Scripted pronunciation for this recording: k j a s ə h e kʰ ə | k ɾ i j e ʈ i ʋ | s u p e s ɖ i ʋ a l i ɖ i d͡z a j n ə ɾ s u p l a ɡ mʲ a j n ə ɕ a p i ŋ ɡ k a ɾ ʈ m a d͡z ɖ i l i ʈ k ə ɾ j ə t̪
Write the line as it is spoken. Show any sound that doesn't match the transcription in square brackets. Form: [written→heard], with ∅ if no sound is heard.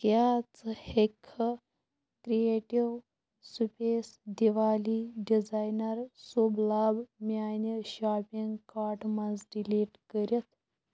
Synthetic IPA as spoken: k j a [s→t͡s] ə h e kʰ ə | k ɾ i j e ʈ i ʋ | s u p e s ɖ i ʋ a l i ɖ i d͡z a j n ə ɾ s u [p→b] l a [ɡ→b] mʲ a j n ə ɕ a p i ŋ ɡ k a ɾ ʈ m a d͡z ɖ i l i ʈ k ə ɾ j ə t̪